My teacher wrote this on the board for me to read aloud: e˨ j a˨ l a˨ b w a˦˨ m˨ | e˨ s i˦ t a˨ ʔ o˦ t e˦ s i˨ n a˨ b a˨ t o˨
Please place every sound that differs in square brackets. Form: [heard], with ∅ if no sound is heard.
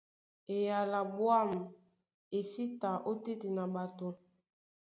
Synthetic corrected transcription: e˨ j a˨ l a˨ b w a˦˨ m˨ | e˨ s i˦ t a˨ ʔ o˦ t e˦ [t] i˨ n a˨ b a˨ t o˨